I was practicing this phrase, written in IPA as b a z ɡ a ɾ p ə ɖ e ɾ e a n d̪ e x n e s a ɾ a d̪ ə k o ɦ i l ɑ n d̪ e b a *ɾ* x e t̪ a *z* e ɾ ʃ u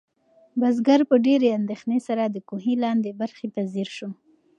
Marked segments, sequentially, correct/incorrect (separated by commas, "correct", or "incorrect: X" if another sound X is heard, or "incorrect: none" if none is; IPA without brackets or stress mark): correct, correct